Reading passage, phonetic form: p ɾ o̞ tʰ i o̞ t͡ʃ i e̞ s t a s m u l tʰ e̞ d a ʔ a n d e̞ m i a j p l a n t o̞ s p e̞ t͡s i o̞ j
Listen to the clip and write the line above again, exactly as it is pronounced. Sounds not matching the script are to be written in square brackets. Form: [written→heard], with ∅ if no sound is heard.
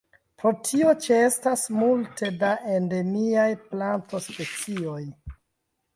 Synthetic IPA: p ɾ o̞ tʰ i o̞ t͡ʃ [i→e] e̞ s t a s m u l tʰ e̞ d a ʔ [a→e] n d e̞ m i a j p l a n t o̞ s p e̞ t͡s i o̞ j